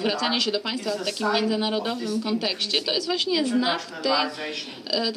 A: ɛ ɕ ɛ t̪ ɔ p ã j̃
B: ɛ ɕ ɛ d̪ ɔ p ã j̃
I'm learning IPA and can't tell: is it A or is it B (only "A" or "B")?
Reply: B